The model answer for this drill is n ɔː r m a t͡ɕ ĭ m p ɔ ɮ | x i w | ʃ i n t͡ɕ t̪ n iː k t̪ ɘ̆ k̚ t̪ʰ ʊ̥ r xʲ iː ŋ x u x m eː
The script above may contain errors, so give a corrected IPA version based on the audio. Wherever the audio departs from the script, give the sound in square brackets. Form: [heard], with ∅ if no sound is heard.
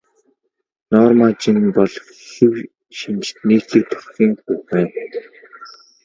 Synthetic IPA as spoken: n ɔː r m a t͡ɕ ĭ [n] p ɔ ɮ | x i w | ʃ i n t͡ɕ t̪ n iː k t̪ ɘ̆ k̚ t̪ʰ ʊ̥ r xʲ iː ŋ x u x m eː